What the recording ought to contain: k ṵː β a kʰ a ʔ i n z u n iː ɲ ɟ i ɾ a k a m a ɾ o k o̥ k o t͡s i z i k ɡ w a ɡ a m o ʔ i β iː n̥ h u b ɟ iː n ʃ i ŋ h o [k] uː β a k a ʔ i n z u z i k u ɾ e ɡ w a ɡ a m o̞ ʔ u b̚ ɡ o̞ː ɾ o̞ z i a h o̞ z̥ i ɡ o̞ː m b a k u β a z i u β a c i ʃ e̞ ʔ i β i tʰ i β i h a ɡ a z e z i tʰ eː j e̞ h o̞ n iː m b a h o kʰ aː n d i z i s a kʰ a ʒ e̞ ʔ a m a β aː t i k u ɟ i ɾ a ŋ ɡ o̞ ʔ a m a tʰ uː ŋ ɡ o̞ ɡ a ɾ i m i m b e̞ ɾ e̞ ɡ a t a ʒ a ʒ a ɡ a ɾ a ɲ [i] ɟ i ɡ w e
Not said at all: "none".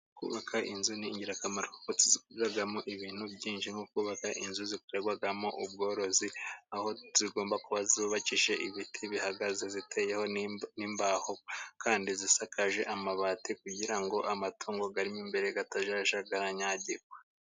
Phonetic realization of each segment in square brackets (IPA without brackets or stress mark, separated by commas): k, a